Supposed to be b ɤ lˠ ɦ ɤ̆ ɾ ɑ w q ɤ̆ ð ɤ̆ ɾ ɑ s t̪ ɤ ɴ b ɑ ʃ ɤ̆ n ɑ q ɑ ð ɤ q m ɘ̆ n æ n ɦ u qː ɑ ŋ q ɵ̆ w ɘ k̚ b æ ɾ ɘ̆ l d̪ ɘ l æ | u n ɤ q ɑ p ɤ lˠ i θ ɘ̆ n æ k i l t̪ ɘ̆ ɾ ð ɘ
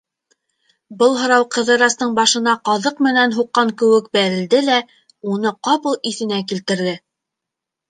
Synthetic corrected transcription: b ɤ lˠ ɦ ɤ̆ ɾ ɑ w q ɤ̆ ð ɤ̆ ɾ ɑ s t̪ ɤ ɴ b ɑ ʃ ɤ̆ n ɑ q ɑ ð ɤ q m ɘ̆ n æ n ɦ u qː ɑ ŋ k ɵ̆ w ɘ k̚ b æ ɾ ɘ̆ l d̪ ɘ l æ | u n ɤ q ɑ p ɤ lˠ i θ ɘ̆ n æ k i l t̪ ɘ̆ ɾ ð ɘ

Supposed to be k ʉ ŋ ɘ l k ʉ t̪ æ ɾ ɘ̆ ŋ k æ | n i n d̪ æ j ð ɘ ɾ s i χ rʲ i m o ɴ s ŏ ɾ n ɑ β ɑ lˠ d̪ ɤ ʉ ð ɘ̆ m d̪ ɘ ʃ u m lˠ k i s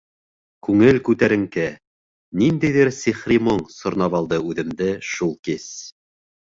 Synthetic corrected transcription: k ʉ ŋ ɘ l k ʉ t̪ æ ɾ ɘ̆ ŋ k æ | n i n d̪ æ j ð ɘ ɾ s i χ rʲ i m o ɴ s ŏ ɾ n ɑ β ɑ lˠ d̪ ɤ ʉ ð ɘ̆ m d̪ ɘ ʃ u lˠ k i s

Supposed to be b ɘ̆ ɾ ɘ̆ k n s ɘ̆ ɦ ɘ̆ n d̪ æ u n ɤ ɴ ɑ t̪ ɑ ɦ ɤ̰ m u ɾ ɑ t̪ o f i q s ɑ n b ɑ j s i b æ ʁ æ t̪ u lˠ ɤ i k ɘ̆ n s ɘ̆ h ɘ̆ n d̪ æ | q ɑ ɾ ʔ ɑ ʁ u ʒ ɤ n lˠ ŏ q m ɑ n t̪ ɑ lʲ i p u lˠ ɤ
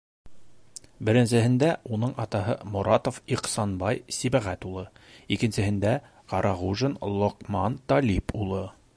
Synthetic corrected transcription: b ɘ̆ ɾ ɘ̆ n s ɘ̆ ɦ ɘ̆ n d̪ æ u n ɤ ɴ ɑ t̪ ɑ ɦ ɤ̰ m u ɾ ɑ t̪ o f i q s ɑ n b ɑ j s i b æ ʁ æ t̪ u lˠ ɤ i k ɘ̆ n s ɘ̆ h ɘ̆ n d̪ æ | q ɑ ɾ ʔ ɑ ʁ u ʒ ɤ n lˠ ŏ q m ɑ n t̪ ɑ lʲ i p u lˠ ɤ

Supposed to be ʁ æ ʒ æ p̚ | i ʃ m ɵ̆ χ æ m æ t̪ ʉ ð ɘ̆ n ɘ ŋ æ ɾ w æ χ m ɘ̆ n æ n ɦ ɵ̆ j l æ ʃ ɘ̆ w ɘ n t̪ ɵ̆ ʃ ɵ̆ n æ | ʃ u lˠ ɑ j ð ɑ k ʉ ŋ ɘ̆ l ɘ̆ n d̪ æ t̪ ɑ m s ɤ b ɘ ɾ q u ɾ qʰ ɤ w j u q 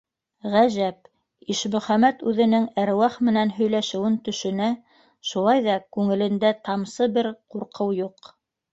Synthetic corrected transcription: ʁ æ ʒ æ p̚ | i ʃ m ɵ̆ χ æ m æ t̪ ʉ ð ɘ̆ n ɘ ŋ æ ɾ w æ χ m ɘ̆ n æ n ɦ ɵ̆ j l æ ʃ ɘ̆ w ɘ n t̪ ɵ̆ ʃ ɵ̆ n æ | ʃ u lˠ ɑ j ð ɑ k ʉ ŋ ɘ̆ l ɘ̆ n d̪ æ t̪ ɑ m s ɤ b ɘ ɾ q u ɾ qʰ ɤ w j u q

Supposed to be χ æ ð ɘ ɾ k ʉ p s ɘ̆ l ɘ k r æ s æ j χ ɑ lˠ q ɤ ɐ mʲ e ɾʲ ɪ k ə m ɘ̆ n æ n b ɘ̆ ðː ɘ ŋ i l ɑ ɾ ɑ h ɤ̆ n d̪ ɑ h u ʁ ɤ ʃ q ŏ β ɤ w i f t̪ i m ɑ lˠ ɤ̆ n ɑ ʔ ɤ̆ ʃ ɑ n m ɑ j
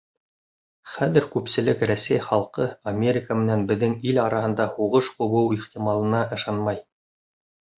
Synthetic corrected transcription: χ æ ð ɘ ɾ k ʉ p s ɘ̆ l ɘ k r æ s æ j χ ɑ lˠ q ɤ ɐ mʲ e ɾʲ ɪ k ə m ɘ̆ n æ n b ɘ̆ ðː ɘ ŋ i l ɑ ɾ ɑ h ɤ̆ n d̪ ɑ h u ʁ ɤ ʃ q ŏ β ɤ w i χ t̪ i m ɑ lˠ ɤ̆ n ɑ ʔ ɤ̆ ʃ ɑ n m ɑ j

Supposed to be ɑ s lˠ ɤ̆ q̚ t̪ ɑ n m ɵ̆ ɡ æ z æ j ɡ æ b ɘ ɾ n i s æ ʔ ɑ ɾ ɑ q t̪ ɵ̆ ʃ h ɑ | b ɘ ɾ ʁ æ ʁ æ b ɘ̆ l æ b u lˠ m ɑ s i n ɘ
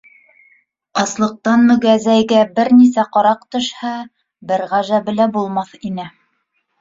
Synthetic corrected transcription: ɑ s lˠ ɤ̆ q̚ t̪ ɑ n m ɵ̆ ɡ æ z æ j ɡ æ b ɘ ɾ n i s æ q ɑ ɾ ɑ q t̪ ɵ̆ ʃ h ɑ | b ɘ ɾ ʁ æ ʒ æ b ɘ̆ l æ b u lˠ m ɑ θ i n ɘ

